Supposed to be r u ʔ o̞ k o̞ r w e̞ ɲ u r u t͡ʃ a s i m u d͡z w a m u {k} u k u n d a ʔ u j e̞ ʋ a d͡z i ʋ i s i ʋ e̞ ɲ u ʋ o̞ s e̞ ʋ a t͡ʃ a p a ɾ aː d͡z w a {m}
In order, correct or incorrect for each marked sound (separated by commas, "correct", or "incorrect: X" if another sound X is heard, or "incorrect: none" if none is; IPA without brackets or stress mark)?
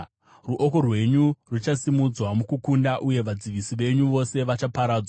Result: correct, incorrect: none